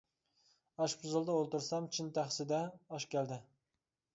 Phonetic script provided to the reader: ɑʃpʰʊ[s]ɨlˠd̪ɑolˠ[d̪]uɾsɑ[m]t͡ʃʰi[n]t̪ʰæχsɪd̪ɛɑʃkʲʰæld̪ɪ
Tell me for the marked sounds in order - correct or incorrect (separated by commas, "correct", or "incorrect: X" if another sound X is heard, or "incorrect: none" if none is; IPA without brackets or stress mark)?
incorrect: z, incorrect: t̪, correct, correct